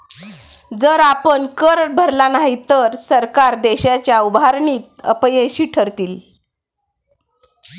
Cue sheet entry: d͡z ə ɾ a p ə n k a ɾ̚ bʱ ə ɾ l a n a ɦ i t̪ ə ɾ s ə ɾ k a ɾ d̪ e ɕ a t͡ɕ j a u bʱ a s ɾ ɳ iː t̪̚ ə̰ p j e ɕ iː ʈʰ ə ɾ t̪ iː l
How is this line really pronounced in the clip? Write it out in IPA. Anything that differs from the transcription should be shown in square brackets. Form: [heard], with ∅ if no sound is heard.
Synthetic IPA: d͡z ə ɾ a p ə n k [ə] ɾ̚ bʱ ə ɾ l a n a ɦ i t̪ ə ɾ s ə ɾ k a ɾ d̪ e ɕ a t͡ɕ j a u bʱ a [∅] ɾ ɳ iː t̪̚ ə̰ p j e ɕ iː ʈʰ ə ɾ t̪ iː l